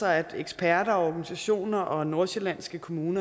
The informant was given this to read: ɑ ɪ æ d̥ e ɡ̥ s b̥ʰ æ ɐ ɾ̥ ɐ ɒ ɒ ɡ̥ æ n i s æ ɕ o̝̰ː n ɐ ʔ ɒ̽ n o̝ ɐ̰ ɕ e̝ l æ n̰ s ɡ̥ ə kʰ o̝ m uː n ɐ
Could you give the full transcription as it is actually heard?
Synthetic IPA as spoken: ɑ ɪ æ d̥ e ɡ̥ s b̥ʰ æ ɐ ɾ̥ ɐ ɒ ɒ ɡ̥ æ n i s æ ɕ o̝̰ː n ɐ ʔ ɒ̽ n o̝ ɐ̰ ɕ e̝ l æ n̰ s ɡ̥ ə kʰ o̝ m uː n ɐ